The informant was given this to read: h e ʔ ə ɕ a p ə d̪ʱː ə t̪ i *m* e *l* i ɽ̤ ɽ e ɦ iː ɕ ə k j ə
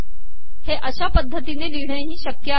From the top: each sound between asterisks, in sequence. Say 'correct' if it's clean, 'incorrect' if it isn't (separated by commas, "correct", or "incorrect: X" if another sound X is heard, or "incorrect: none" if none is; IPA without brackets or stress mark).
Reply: incorrect: n, correct